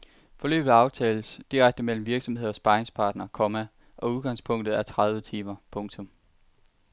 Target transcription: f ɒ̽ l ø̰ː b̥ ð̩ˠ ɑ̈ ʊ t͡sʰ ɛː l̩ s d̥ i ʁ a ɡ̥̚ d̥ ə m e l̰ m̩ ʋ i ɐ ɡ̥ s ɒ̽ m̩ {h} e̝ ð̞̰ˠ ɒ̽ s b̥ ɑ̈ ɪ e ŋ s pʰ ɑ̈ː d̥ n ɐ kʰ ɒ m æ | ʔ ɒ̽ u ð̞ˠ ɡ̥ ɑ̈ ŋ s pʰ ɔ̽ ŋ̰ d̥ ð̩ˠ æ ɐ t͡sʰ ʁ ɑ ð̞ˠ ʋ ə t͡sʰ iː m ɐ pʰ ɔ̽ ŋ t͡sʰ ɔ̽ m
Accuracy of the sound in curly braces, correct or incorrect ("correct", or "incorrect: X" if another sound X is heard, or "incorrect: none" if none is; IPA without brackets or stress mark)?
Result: correct